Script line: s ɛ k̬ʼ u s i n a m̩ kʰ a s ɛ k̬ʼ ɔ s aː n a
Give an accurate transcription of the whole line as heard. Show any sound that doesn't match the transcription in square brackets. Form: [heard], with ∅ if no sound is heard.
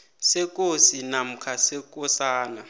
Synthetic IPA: s ɛ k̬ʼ [o] s i n a m̩ kʰ a s ɛ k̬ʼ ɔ s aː n a